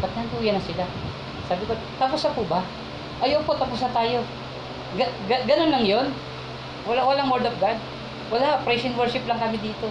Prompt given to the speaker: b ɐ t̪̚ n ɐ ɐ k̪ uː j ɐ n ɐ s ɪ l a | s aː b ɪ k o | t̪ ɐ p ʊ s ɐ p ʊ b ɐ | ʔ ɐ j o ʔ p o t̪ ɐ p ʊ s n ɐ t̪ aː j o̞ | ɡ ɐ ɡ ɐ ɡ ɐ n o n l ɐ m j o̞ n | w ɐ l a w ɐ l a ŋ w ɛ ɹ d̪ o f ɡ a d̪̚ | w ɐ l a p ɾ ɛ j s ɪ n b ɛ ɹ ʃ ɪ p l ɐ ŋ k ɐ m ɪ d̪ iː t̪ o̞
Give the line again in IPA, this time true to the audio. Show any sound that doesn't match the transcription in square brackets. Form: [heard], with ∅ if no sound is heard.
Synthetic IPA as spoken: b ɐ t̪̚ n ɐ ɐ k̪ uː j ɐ n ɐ s ɪ l a | s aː b ɪ k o | t̪ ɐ p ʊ s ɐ p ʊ b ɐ | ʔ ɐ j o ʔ p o t̪ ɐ p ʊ s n ɐ t̪ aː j o̞ | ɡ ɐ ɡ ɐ ɡ ɐ n o n l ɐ [ŋ] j o̞ n | w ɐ l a w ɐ l a ŋ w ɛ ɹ d̪ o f ɡ a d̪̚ | w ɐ l a p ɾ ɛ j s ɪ n [w] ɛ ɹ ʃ ɪ p l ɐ ŋ k ɐ m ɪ d̪ iː t̪ o̞